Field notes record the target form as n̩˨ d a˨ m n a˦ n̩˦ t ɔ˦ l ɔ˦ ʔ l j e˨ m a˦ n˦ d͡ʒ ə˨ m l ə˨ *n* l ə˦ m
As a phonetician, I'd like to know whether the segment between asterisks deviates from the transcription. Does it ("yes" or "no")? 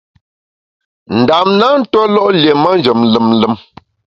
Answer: yes